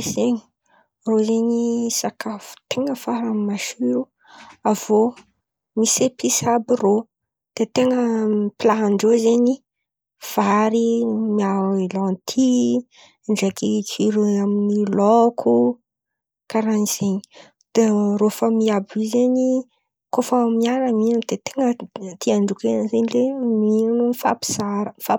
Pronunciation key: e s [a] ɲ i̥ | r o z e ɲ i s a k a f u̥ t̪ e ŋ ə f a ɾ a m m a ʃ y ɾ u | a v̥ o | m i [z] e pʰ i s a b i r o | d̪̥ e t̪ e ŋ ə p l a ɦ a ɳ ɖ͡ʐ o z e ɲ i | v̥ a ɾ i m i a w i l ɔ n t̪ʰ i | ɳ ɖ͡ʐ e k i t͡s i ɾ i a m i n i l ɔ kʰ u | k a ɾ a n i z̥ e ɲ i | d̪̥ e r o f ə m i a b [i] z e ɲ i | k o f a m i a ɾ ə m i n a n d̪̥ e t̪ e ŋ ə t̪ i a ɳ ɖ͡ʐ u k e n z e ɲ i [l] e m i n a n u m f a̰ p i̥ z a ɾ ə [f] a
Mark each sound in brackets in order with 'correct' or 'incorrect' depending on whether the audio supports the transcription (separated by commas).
incorrect, incorrect, correct, correct, correct